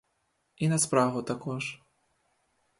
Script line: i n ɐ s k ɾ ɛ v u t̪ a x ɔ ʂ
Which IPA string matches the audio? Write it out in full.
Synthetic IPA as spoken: i n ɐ s p ɾ a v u t̪ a k ɔ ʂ